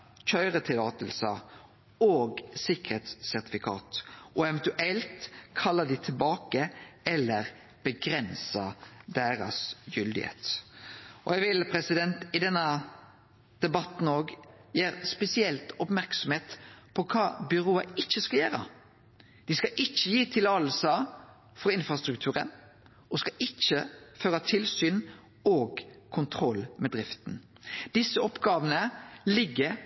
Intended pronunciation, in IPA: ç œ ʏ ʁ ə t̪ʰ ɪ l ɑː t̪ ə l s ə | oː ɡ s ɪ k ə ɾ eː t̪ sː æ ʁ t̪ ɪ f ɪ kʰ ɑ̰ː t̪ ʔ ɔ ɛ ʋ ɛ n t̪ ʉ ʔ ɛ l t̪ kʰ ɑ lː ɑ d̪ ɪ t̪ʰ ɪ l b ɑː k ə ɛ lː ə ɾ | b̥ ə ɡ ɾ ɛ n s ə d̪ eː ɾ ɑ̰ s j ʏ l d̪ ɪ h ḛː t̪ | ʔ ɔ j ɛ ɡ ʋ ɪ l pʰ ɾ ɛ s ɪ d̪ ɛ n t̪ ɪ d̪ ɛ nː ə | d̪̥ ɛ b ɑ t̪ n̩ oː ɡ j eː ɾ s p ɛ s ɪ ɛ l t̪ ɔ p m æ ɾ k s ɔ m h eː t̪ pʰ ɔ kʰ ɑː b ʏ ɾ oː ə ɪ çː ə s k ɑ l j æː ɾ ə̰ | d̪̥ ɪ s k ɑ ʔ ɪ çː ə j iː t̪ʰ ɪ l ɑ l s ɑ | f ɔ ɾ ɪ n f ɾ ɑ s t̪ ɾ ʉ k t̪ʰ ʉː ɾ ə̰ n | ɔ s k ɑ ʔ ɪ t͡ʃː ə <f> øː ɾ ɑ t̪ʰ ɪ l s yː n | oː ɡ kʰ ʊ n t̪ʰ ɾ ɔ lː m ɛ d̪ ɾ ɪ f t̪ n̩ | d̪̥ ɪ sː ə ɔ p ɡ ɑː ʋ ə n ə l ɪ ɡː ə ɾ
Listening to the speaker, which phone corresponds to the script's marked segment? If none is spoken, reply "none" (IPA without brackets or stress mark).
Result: f